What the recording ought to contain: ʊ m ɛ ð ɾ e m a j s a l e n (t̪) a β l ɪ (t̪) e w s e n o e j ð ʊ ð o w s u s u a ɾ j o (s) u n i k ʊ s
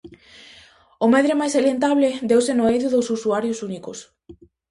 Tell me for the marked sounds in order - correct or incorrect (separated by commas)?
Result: correct, incorrect, correct